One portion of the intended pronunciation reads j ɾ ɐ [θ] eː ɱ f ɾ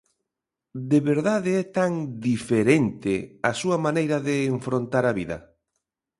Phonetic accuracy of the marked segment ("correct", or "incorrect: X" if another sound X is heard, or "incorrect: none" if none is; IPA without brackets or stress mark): incorrect: ð